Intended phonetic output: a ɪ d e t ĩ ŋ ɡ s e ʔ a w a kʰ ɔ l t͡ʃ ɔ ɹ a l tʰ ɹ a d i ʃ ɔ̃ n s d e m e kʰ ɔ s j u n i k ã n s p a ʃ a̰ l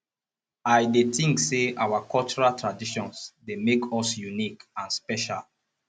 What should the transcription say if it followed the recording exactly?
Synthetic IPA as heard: a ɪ d e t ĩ ŋ k s e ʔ a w a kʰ ɔ l t͡ʃ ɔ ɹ a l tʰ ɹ a d i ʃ ɔ̃ n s d e m e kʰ ɔ s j u n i k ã n s p ɛ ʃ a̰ l